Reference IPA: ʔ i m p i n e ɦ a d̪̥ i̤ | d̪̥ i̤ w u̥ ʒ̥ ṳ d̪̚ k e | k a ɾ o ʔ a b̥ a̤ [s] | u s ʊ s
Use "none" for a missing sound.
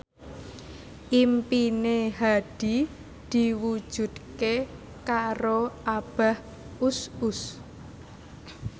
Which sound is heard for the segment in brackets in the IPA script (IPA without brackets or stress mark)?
h